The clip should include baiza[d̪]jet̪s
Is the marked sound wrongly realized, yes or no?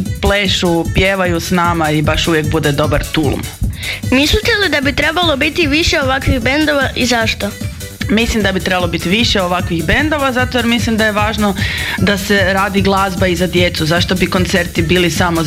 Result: no